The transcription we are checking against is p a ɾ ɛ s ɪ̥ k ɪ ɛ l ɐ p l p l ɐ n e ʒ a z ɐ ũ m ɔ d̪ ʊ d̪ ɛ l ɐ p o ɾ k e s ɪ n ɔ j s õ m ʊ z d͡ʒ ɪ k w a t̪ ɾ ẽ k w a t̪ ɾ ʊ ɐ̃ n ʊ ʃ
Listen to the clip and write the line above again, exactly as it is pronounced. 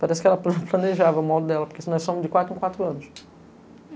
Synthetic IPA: p a ɾ ɛ s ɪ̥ k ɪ ɛ l ɐ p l p l ɐ n e ʒ a v ɐ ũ m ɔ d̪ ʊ d̪ ɛ l ɐ p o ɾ k e s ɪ n ɔ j s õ m ʊ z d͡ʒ ɪ k w a t̪ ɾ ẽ k w a t̪ ɾ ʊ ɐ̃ n ʊ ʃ